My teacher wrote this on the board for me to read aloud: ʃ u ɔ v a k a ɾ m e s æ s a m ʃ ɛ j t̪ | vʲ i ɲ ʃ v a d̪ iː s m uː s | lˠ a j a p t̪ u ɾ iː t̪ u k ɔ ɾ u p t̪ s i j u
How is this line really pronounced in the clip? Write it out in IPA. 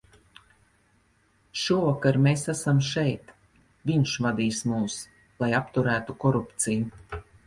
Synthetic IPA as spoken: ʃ u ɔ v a k a ɾ m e s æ s a m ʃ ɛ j t̪ | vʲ i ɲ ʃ v a d̪ iː s m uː s | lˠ a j a p t̪ u ɾ æː t̪ u k ɔ ɾ u p t̪ s i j u

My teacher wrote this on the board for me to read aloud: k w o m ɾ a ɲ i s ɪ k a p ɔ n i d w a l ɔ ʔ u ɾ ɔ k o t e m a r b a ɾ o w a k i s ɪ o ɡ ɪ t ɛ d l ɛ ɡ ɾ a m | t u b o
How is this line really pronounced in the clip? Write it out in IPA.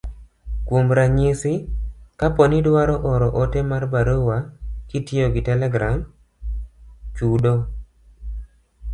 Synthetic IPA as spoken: k w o m ɾ a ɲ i s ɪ k a p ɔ n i d w a ɾ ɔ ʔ ɔ ɾ ɔ ʔ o t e m a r b a ɾ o w a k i t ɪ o ɡ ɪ t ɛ l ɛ ɡ ɾ a m | t͡ʃ u d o

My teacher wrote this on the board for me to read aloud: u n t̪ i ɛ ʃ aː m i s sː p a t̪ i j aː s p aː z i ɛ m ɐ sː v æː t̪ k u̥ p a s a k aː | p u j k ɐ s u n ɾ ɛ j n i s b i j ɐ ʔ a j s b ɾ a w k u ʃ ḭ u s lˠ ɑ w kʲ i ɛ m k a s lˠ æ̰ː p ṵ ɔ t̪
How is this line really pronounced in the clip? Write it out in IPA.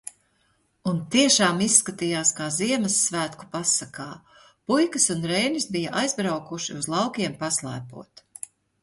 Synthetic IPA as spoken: u n t̪ i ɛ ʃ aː m i s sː k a t̪ i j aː s k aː z i ɛ m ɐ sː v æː t̪ k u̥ p a s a k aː | p u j k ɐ s u n ɾ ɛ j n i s b i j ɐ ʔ a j z b ɾ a w k u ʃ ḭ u z lˠ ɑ w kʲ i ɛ m p a s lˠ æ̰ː p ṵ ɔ t̪

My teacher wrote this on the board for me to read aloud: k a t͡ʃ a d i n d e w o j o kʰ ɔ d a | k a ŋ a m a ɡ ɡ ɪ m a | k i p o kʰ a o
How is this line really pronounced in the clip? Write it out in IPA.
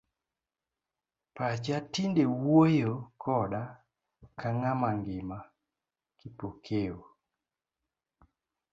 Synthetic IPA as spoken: p a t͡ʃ a t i n d e w o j o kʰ ɔ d a | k a ŋ a m a ŋ ɡ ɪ m a | k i p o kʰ e o

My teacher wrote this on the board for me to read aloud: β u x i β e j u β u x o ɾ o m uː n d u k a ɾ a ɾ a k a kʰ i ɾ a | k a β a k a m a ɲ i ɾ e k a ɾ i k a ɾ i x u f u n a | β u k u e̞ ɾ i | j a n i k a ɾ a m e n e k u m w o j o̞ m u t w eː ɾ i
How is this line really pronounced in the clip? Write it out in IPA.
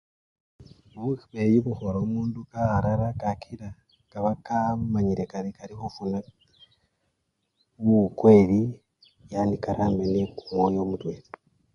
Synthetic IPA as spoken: β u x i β e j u β u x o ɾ o m uː n d u k a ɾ a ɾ a k a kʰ i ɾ a | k a β a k a m a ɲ i ɾ e k a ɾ i k a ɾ i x u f u n a | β u k w e̞ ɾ i | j a n i k a ɾ a m e n e k u m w o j o̞ m u t w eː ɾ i

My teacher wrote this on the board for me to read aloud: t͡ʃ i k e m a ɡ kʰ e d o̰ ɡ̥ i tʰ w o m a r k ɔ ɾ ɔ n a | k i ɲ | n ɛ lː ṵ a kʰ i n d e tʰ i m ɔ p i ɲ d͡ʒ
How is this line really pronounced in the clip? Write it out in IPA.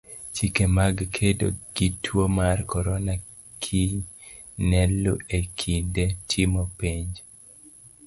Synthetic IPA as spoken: t͡ʃ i k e m a ɡ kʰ e d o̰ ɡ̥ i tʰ w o m a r k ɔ ɾ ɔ n a | kʰ i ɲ | n ɛ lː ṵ e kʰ i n d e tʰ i m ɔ p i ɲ d͡ʒ

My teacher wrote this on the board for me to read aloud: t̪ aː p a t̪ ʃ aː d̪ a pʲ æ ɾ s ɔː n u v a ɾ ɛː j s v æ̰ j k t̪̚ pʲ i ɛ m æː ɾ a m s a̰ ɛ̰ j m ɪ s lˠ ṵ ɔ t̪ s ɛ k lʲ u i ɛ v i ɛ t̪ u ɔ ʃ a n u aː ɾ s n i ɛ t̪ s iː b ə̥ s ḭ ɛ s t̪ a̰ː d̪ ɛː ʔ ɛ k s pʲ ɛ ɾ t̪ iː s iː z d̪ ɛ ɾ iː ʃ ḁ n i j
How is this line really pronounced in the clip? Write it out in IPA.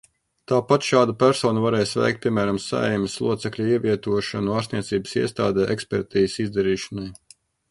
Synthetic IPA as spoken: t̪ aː p a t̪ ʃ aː d̪ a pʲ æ ɾ s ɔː n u v a ɾ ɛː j s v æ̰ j k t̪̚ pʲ i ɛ m æː ɾ a m s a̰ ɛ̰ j m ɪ s lˠ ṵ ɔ t̪ s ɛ k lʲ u i ɛ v i ɛ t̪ u ɔ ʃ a n u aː ɾ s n i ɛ t̪ s iː b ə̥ s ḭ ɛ s t̪ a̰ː d̪ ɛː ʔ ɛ k s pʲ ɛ ɾ t̪ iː s i z d̪ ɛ ɾ iː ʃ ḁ n a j

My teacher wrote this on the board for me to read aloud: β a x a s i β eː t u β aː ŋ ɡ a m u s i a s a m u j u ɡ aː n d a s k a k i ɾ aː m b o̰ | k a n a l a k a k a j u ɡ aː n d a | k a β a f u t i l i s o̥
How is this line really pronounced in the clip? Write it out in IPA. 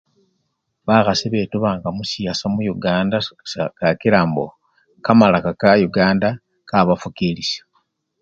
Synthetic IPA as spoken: β a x a s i β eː t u β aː ŋ ɡ a m u s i a s a m u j u ɡ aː n d a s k a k i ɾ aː m b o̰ | k a m a l a k a k a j u ɡ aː n d a | k a β a f u k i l i s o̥

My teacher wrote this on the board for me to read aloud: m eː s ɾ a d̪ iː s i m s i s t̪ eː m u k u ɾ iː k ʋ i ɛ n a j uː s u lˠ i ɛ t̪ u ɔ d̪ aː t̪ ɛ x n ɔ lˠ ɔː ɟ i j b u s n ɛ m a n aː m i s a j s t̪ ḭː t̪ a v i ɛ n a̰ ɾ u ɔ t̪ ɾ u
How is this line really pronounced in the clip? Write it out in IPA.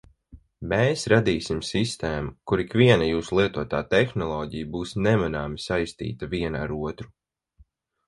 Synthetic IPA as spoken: m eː s ɾ a d̪ iː s i m s i s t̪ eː m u k u ɾ i k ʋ i ɛ n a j uː s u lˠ i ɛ t̪ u ɔ t̪ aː t̪ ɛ x n ɔ lˠ ɔː ɟ i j b uː s n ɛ m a n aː m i s a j s t̪ ḭː t̪ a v i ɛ n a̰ ɾ u ɔ t̪ ɾ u

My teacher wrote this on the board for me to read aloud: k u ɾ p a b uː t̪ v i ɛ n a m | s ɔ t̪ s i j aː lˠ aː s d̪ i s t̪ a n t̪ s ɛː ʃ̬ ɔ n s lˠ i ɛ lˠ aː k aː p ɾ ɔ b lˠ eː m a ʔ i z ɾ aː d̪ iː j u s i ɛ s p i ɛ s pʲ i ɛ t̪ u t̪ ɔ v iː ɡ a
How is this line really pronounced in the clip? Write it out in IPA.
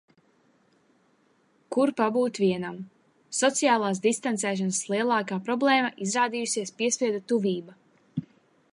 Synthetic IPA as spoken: k u ɾ p a b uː t̪ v i ɛ n a m | s ɔ t̪ s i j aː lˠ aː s d̪ i s t̪ a n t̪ s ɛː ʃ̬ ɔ n s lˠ i ɛ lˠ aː k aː p ɾ ɔ b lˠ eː m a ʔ i z ɾ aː d̪ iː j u s i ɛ s p i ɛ s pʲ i ɛ d̪ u t̪ u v iː b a

